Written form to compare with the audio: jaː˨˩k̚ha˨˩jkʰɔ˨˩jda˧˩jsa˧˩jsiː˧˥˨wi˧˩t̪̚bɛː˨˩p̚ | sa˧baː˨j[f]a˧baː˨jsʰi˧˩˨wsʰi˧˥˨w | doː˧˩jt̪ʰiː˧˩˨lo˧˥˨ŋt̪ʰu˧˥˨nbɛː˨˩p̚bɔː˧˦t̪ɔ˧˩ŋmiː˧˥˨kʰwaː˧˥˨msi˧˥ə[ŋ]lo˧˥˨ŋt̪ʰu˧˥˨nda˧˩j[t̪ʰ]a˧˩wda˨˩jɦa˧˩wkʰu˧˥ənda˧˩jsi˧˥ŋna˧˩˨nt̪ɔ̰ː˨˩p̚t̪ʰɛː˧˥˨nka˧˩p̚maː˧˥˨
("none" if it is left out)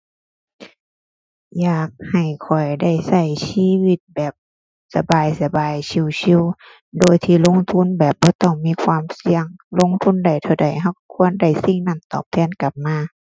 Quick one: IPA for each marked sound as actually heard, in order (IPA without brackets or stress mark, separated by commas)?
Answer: s, ŋ, t̪ʰ